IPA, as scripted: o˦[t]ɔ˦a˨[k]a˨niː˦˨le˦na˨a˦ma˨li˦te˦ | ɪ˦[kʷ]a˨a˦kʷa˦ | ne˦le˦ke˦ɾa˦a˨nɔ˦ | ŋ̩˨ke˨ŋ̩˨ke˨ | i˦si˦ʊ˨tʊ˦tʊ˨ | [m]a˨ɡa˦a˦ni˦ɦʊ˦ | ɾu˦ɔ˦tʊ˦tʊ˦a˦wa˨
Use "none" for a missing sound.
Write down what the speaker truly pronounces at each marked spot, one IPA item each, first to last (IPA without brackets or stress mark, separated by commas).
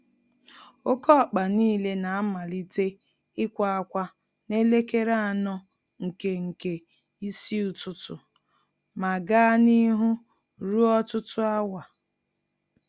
k, k͡p, kʷ, m